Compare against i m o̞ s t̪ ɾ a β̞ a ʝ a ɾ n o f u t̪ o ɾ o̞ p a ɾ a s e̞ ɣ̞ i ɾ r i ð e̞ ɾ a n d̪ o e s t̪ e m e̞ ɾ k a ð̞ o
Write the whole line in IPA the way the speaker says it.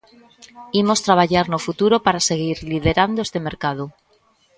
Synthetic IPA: i m o̞ s t̪ ɾ a β̞ a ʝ a ɾ n o f u t̪ u ɾ o̞ p a ɾ a s e̞ ɣ̞ i ɾ l i ð e̞ ɾ a n d̪ o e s t̪ e m e̞ ɾ k a ð̞ o